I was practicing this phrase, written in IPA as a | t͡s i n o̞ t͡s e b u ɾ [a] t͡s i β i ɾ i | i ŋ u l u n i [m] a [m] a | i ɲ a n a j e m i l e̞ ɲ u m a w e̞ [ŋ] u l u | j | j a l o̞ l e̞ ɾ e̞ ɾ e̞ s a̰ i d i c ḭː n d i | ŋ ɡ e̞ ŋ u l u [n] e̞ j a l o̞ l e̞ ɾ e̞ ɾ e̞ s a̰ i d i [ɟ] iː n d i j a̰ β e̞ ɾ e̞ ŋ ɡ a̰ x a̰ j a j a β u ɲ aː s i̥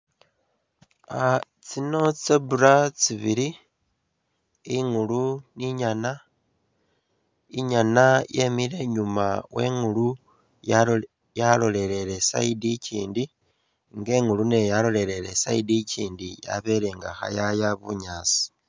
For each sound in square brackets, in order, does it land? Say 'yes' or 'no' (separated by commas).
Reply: yes, no, no, yes, yes, no